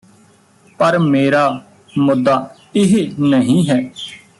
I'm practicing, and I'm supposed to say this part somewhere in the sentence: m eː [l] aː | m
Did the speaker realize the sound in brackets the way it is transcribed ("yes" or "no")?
no